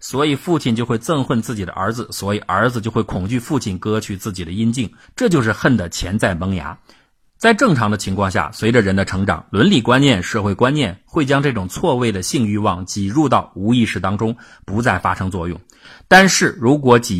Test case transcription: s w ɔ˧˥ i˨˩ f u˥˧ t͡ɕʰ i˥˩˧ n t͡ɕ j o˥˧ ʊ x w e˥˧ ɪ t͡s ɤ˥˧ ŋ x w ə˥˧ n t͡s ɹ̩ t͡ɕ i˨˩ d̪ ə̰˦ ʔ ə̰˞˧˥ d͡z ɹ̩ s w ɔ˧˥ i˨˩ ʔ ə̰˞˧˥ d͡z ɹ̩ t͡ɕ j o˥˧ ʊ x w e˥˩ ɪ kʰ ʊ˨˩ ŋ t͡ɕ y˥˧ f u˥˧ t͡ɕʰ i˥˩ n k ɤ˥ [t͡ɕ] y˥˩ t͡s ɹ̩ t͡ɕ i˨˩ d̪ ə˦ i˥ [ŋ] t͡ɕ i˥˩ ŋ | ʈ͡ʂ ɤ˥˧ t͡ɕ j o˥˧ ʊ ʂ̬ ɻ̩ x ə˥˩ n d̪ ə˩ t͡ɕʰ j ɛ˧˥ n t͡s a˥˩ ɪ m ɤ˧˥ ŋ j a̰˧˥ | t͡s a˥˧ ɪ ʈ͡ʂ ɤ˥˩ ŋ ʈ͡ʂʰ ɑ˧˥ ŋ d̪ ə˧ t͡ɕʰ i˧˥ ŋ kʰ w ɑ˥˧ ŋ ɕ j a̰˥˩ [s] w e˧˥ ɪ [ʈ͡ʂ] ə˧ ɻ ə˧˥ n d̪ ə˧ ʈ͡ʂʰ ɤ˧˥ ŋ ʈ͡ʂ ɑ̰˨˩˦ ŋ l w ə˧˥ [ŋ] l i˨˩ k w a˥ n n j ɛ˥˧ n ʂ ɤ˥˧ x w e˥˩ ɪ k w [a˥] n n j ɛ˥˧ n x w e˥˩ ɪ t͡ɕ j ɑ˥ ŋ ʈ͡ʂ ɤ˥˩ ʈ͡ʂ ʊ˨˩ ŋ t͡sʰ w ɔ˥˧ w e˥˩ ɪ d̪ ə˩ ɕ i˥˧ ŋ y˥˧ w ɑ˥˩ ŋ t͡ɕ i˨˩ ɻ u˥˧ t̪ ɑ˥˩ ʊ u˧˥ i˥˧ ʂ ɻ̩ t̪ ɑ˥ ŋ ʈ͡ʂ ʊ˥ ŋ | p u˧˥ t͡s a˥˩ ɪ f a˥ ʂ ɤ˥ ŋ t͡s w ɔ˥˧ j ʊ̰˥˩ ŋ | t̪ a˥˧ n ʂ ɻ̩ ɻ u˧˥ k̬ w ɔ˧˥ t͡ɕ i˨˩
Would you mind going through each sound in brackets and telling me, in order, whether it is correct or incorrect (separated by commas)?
incorrect, incorrect, correct, correct, incorrect, correct